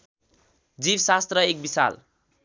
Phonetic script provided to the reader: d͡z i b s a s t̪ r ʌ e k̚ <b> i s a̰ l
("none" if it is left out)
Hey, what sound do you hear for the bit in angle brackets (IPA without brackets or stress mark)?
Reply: b